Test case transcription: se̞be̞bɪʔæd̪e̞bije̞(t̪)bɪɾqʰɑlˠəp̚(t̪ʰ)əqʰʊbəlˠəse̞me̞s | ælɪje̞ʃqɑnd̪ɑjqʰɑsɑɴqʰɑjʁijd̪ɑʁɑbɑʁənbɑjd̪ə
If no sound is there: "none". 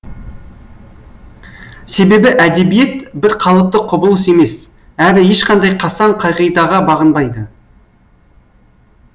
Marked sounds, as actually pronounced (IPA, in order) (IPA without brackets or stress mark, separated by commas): t̪, t̪